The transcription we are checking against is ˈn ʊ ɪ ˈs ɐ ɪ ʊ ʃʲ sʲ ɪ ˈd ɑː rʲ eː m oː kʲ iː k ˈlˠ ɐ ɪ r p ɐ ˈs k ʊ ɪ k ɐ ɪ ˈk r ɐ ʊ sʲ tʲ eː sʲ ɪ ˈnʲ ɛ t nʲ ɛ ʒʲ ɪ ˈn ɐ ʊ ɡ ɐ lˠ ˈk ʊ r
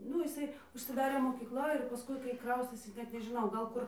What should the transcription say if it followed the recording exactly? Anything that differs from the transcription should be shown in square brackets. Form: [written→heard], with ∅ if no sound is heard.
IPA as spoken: ˈn ʊ ɪ ˈs ɐ ɪ ʊ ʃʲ sʲ ɪ ˈd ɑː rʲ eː m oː kʲ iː k ˈlˠ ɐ ɪ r p ɐ ˈs k ʊ ɪ k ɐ ɪ ˈk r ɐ ʊ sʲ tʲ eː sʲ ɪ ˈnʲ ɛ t nʲ ɛ ʒʲ ɪ ˈn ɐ ʊ ɡ ɐ lˠ ˈk ʊ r